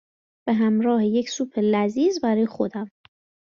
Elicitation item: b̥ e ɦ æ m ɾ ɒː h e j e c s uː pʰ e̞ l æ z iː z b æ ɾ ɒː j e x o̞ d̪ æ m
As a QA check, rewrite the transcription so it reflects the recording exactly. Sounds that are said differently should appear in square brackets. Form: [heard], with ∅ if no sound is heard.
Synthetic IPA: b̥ e ɦ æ m ɾ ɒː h e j e c s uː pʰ e̞ l æ z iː z b æ ɾ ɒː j e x o̞ d̪ æ m